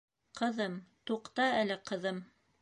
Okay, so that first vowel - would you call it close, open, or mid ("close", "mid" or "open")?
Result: mid